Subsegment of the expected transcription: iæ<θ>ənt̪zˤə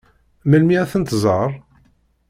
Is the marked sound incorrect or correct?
correct